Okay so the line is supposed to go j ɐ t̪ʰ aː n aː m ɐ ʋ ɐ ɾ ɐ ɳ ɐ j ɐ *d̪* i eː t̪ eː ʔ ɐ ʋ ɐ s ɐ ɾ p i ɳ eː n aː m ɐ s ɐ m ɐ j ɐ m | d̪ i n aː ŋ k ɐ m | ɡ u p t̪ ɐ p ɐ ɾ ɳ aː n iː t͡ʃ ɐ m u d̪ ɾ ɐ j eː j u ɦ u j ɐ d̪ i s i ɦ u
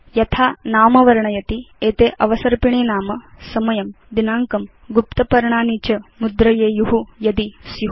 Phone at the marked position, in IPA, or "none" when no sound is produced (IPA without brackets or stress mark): t̪